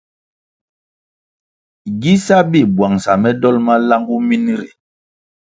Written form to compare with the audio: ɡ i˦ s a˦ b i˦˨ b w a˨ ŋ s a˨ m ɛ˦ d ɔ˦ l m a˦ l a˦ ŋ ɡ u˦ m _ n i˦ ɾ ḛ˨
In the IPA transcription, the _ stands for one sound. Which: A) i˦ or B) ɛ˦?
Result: A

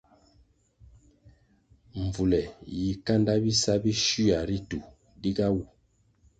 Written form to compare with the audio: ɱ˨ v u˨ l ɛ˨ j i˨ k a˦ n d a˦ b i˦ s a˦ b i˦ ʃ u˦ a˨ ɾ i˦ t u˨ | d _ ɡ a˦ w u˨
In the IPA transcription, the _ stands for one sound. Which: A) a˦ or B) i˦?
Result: B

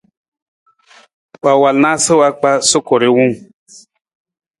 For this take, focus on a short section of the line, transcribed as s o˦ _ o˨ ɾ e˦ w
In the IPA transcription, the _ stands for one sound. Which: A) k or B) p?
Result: A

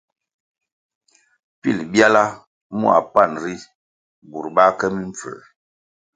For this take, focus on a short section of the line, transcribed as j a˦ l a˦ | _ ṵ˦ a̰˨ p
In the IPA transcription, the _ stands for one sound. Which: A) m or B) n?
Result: A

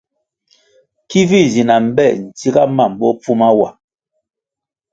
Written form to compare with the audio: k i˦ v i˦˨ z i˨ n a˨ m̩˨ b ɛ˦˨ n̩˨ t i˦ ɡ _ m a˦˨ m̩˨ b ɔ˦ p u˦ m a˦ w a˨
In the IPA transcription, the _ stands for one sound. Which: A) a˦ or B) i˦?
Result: A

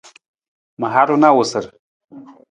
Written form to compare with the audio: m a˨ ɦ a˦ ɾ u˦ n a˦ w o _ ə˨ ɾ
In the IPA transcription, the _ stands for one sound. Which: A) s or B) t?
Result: A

